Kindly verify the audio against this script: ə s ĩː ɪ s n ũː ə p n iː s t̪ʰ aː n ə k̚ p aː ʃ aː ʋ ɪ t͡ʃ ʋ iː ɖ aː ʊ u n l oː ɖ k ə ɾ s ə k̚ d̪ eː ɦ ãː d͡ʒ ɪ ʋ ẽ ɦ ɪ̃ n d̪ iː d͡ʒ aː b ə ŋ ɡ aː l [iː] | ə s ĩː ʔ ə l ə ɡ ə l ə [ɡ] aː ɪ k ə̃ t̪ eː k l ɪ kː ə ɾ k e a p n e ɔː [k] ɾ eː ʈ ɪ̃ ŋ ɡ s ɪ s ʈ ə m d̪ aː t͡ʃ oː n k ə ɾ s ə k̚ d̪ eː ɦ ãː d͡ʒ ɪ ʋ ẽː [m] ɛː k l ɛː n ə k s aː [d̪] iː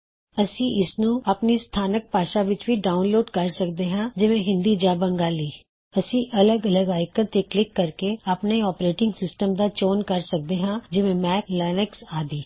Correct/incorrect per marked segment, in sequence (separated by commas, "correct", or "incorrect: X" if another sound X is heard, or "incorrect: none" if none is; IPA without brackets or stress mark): correct, correct, incorrect: p, correct, correct